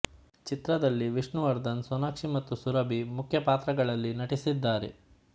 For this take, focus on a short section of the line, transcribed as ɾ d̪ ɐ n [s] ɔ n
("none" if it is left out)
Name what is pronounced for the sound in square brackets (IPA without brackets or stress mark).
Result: s